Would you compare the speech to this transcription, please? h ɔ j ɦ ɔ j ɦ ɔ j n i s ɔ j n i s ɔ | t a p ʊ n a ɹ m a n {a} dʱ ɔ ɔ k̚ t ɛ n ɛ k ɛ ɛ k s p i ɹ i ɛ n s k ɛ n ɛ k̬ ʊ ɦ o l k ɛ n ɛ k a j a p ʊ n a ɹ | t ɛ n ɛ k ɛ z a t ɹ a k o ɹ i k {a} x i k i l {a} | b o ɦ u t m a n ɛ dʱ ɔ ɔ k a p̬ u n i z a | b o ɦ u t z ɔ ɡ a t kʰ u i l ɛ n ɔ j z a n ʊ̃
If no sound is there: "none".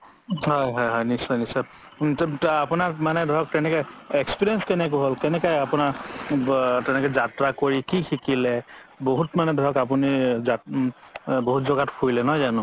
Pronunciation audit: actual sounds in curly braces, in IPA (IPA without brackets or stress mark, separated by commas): ɛ, i, ɛ